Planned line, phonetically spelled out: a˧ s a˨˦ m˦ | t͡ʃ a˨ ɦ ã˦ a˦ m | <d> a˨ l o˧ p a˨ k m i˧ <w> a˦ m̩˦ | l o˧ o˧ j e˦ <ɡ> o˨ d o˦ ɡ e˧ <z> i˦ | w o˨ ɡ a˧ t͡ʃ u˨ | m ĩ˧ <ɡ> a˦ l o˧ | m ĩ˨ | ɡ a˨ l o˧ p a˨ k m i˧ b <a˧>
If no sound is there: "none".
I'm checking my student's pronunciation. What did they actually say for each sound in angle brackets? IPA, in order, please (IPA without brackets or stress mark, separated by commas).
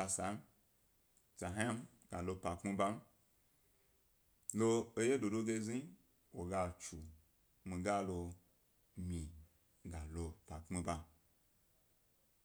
ɡ, b, d, z, ɡ, a˧